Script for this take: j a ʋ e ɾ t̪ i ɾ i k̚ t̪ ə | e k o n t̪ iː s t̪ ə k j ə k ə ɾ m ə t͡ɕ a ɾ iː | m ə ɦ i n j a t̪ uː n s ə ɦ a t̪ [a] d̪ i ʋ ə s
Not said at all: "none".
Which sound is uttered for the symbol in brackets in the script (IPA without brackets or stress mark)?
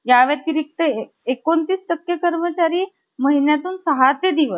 e